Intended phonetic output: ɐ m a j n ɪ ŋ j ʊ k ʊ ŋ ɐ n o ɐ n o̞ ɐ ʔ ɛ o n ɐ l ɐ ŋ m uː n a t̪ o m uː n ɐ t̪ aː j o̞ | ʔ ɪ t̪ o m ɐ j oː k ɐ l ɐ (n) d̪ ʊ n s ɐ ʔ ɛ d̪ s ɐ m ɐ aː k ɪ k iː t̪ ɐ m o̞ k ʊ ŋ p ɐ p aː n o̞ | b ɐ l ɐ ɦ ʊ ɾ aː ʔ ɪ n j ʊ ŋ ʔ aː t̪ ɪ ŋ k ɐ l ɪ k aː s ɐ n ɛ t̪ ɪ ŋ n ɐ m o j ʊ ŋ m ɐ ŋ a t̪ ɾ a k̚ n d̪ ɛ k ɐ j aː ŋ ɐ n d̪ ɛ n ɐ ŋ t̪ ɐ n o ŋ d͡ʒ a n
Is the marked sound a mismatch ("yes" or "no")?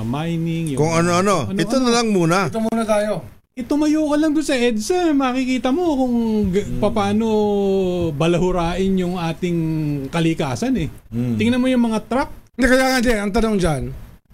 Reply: yes